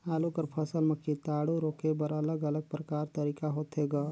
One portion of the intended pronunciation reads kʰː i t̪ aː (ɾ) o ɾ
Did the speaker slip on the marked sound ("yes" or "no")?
yes